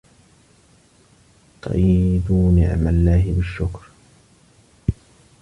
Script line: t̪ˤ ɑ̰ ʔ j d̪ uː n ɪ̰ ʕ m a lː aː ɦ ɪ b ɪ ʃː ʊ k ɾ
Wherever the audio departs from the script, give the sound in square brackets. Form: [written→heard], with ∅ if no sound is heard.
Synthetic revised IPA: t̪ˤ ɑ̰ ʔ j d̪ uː n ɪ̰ ʕ m a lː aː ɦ ɪ b ɪ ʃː ʊ k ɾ